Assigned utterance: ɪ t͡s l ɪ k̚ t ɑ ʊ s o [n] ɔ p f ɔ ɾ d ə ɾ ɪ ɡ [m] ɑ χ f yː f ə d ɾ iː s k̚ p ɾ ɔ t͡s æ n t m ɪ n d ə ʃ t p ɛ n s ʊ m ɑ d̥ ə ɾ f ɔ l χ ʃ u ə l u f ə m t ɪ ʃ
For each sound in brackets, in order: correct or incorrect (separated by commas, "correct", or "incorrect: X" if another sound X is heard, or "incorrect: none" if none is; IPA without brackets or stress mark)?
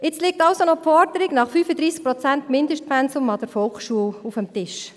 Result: correct, incorrect: n